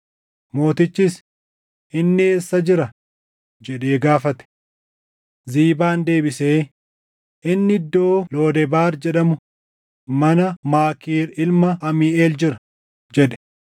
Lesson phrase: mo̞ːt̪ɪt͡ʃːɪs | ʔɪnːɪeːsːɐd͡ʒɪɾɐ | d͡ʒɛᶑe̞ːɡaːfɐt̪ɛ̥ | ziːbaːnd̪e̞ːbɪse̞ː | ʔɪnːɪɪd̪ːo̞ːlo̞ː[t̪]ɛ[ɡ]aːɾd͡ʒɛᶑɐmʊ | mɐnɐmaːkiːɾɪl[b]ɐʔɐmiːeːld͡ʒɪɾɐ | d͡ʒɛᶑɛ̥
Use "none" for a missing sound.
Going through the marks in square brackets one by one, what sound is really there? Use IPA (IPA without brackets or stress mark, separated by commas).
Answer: d̪, b, m